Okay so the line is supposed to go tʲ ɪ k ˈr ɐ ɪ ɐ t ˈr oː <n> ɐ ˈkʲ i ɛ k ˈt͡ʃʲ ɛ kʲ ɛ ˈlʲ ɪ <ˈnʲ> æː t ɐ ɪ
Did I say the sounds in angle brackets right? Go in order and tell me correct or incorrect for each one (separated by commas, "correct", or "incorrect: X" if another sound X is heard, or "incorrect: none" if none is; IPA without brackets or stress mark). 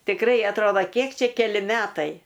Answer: incorrect: d, incorrect: mʲ